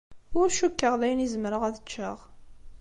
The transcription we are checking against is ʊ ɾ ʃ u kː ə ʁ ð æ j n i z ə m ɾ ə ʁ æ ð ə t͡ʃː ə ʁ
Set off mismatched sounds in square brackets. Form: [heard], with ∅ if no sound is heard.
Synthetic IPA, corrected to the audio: ʊ ɾ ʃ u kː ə ʁ ð æ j n i z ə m ɾ ə ʁ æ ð ə t͡ʃː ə ʁ